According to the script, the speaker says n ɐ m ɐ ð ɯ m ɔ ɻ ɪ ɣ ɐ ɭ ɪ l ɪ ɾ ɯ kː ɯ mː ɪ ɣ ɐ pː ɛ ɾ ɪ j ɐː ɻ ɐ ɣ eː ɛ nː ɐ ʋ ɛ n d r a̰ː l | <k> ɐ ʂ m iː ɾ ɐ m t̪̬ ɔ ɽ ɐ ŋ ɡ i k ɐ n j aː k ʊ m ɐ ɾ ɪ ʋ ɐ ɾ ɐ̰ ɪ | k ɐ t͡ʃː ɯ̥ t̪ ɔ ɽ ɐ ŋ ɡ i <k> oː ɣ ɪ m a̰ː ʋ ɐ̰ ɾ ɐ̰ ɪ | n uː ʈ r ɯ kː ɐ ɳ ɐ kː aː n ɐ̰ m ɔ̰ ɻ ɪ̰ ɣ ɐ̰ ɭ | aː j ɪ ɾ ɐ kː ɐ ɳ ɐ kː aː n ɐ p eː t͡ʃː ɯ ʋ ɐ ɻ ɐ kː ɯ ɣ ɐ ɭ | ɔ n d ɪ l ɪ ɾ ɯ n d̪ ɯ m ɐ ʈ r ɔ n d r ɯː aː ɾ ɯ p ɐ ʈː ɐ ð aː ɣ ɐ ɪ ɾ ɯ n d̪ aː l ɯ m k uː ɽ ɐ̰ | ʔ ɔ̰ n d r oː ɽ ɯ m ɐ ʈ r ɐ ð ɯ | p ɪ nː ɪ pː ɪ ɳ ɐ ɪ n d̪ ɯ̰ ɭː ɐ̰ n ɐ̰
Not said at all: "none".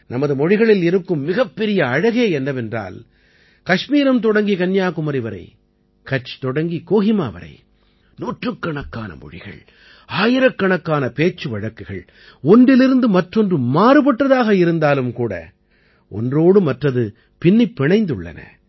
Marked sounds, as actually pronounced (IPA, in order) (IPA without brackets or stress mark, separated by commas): k, k